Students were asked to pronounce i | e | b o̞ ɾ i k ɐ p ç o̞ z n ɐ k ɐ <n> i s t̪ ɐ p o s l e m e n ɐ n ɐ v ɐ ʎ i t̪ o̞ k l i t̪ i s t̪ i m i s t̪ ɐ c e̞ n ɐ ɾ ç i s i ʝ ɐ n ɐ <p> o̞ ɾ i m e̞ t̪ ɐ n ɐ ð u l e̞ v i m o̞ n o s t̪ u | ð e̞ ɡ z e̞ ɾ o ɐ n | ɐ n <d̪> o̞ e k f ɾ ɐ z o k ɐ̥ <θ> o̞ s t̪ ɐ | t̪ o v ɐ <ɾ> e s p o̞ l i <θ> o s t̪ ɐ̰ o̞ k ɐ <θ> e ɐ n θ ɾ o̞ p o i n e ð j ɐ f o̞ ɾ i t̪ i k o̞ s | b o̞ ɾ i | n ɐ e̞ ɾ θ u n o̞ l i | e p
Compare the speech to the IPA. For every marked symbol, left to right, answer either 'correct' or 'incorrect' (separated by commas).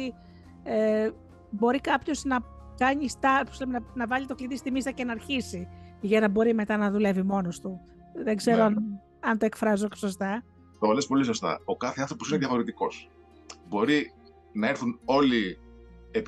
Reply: incorrect, incorrect, incorrect, incorrect, incorrect, incorrect, correct